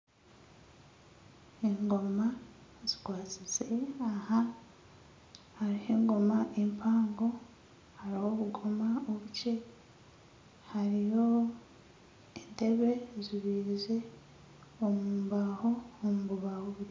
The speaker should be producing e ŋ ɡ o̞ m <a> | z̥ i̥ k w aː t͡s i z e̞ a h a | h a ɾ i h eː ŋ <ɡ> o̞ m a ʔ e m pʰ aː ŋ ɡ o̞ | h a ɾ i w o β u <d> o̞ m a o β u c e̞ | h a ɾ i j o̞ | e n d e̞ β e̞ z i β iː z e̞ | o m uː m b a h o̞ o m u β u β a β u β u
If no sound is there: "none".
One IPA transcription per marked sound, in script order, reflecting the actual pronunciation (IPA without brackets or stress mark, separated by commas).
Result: a, ɡ, ɡ